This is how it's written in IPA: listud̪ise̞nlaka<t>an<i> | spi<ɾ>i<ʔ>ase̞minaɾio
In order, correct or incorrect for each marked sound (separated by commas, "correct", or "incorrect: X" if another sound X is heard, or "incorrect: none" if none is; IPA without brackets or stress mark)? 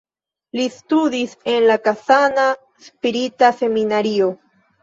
incorrect: s, incorrect: a, correct, incorrect: t